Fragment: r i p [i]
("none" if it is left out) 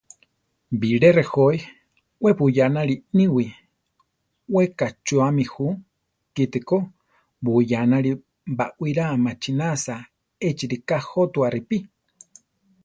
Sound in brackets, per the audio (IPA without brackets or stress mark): i